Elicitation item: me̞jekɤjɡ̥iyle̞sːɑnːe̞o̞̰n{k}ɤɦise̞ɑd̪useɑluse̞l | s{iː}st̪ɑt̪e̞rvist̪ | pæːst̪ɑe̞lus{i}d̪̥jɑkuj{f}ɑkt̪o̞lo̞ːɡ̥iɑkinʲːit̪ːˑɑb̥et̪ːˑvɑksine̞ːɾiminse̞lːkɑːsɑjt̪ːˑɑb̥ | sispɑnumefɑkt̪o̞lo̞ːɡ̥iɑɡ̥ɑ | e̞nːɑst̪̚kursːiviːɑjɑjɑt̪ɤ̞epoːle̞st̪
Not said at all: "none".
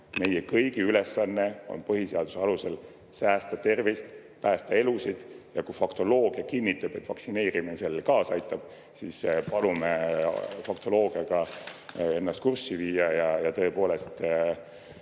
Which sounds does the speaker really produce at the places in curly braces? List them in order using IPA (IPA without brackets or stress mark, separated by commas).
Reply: p, æː, i, f